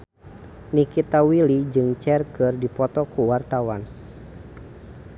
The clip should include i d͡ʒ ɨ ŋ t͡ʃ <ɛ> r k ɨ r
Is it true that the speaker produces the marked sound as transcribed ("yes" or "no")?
yes